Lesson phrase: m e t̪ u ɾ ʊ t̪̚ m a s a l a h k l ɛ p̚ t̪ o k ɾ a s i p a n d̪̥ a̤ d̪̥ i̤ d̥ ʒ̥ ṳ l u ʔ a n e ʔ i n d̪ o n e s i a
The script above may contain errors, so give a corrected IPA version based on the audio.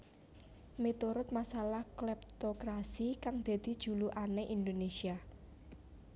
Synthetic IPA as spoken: m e t̪ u ɾ ʊ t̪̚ m a s a l a h k l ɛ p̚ t̪ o k ɾ a s i k a ŋ d̪̥ a̤ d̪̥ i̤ d̥ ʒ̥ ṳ l u ʔ a n e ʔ i n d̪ o n e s i a